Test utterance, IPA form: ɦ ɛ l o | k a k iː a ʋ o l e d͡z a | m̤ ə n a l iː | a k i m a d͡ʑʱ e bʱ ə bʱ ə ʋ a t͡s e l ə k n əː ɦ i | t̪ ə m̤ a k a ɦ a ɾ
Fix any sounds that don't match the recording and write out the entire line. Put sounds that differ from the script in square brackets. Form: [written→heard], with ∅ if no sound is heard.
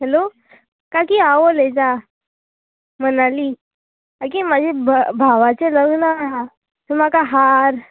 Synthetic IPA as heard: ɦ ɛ l o | k a k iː a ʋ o l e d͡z a | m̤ ə n a l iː | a k i m a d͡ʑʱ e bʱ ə bʱ [ə→a] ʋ a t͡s e l ə [k→ɡ] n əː ɦ [i→a] | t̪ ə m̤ a k a ɦ a ɾ

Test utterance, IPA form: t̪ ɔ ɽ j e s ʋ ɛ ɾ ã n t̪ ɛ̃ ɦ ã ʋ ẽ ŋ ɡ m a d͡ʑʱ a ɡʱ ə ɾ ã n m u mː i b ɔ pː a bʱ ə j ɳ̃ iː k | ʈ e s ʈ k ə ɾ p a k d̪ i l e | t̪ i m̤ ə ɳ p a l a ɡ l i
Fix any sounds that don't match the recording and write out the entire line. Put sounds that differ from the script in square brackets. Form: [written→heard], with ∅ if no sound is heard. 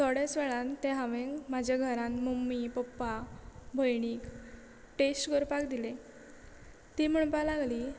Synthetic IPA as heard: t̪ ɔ ɽ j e s ʋ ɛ [ɾ→ɭ] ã n t̪ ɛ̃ ɦ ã ʋ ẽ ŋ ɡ m a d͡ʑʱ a ɡʱ ə ɾ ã n m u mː i [b→p] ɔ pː a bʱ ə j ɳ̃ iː k | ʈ e s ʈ k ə ɾ p a k d̪ i l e | t̪ i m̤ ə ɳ p a l a ɡ l i

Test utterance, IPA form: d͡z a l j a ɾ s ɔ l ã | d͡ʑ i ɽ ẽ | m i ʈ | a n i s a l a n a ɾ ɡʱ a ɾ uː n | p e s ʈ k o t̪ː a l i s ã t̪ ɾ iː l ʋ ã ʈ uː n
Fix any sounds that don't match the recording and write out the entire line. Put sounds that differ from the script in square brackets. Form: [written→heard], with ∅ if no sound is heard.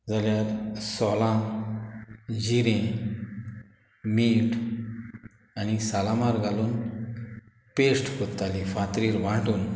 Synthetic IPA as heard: d͡z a l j a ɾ s ɔ l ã | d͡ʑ i [ɽ→ɾ] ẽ | m i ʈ | a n i s a l a [n→m] a ɾ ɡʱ a [ɾ→l] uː n | p e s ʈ k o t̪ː a l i [s→f] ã t̪ ɾ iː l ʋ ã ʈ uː n

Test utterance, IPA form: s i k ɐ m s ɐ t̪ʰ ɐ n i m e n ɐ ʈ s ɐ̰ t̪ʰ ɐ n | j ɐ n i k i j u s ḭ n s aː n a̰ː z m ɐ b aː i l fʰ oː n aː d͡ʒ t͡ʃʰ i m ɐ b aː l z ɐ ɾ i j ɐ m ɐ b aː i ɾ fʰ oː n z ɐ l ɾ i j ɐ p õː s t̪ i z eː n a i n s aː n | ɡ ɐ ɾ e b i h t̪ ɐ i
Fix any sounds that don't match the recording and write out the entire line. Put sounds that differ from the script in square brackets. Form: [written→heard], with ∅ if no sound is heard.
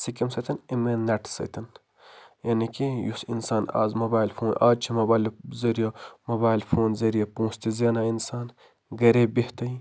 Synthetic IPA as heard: s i k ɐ m s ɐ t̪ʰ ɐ n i m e n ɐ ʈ s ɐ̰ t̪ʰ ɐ n | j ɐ n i k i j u s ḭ n s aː n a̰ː z m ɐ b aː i l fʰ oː n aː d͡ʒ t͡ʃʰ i m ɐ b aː l z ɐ ɾ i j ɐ m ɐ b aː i [ɾ→l] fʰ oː n z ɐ [l→∅] ɾ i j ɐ p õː s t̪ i z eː n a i n s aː n | ɡ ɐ ɾ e b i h t̪ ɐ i

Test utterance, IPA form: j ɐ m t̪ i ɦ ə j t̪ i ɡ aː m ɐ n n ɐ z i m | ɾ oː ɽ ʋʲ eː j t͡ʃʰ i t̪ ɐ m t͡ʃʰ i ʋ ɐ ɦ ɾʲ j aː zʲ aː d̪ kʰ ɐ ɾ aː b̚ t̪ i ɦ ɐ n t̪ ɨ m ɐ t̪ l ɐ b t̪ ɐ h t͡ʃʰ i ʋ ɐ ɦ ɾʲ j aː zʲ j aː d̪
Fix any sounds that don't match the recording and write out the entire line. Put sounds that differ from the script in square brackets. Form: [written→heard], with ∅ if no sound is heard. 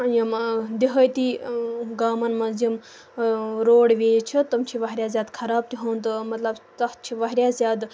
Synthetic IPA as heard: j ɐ m [t̪→d̪] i ɦ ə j t̪ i ɡ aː m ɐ n [n→m] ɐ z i m | ɾ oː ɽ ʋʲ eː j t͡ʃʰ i t̪ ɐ m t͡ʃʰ i ʋ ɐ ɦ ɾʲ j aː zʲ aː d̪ kʰ ɐ ɾ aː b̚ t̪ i ɦ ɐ n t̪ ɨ m ɐ t̪ l ɐ b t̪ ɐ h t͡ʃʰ i ʋ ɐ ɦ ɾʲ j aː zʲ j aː d̪

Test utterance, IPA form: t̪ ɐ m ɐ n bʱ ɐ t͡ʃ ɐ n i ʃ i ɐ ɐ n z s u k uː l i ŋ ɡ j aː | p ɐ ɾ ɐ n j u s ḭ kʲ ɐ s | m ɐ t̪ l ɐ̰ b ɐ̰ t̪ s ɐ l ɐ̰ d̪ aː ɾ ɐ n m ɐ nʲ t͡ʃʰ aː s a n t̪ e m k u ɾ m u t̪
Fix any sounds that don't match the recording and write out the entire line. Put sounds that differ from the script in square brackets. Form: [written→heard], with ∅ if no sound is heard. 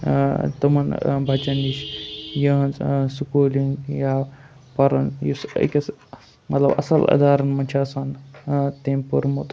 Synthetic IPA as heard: t̪ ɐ m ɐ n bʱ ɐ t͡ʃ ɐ n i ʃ [i→j] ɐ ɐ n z s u k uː l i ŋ ɡ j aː | p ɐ ɾ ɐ n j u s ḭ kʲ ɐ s | m ɐ t̪ l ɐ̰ b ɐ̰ [t̪→∅] s ɐ l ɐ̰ d̪ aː ɾ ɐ n m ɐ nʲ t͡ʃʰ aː s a n t̪ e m [k→p] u ɾ m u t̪

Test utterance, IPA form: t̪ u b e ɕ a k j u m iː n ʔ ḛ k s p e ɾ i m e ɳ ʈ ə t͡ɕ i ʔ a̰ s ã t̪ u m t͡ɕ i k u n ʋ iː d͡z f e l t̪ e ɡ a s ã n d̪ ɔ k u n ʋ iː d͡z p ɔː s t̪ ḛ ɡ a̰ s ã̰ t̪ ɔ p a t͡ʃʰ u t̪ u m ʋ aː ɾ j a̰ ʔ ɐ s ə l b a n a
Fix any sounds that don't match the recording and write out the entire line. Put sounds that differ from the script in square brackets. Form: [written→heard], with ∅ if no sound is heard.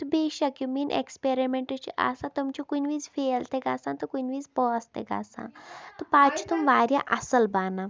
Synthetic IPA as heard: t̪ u b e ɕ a k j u m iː n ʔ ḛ k s p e ɾ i m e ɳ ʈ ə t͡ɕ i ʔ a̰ s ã t̪ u m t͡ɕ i k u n ʋ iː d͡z f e l t̪ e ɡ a s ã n [d̪→t̪] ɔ k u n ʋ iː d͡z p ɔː s t̪ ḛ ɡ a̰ s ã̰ t̪ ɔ p a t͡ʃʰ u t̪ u m ʋ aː ɾ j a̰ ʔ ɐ s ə l b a n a

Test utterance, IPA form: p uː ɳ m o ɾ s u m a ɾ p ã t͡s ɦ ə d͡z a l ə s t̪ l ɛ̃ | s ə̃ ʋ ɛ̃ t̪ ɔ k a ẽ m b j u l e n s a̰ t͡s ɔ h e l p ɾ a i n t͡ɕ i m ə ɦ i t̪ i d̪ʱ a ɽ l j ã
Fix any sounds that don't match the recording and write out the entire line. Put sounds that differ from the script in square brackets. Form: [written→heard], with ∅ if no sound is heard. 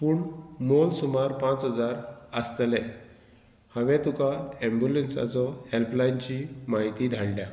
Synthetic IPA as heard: p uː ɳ m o [ɾ→l] s u m a ɾ p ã t͡s ɦ ə d͡z a [l→ɾ] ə s t̪ l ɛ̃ | [s→h] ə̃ ʋ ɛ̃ t̪ [ɔ→u] k a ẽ m b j u l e n s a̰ t͡s ɔ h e l p [ɾ→l] a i n t͡ɕ i m [ə→a] ɦ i t̪ i d̪ʱ a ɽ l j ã

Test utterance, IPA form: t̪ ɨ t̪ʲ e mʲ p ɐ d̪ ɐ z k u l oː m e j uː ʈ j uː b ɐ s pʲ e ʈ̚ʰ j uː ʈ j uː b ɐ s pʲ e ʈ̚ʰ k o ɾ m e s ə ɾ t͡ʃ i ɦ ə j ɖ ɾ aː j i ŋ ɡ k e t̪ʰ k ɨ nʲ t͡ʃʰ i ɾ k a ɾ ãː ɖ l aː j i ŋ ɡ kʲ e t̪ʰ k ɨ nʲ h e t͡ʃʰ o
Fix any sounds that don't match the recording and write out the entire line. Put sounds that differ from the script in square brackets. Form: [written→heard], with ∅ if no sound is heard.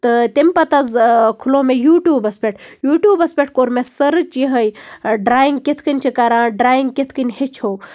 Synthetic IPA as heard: t̪ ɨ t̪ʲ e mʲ p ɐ [d̪→t̪] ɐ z [k→kʰ] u l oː m e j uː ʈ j uː b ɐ s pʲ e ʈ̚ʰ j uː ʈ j uː b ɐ s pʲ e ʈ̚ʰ k o ɾ m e s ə ɾ t͡ʃ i ɦ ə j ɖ ɾ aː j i ŋ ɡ k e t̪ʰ k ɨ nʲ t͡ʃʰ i [ɾ→∅] k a ɾ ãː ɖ [l→ɾ] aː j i ŋ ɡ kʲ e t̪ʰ k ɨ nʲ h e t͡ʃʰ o

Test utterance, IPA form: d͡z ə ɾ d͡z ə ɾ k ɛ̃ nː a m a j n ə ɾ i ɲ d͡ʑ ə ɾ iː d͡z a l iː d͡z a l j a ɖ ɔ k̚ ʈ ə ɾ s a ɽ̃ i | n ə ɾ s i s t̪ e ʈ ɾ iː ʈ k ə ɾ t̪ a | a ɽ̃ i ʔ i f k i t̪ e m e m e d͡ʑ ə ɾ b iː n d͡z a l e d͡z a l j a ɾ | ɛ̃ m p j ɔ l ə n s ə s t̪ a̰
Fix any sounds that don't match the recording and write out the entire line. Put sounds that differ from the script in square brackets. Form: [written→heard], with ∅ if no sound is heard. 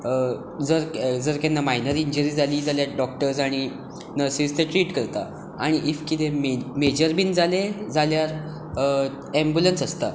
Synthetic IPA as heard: d͡z ə ɾ d͡z ə ɾ k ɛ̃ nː a m a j n ə ɾ i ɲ d͡ʑ ə ɾ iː d͡z a l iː d͡z a l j a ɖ ɔ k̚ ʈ ə ɾ s a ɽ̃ i | n ə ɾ s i s t̪ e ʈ ɾ iː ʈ k ə ɾ t̪ a | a ɽ̃ i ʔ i f k i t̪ e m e m e d͡ʑ ə ɾ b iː n d͡z a l e d͡z a l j a ɾ | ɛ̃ m [p→b] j [ɔ→u] l ə n s ə s t̪ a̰

